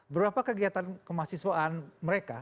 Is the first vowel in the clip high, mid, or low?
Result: mid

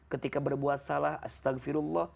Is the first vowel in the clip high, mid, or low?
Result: mid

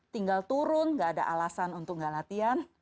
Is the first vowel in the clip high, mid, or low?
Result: high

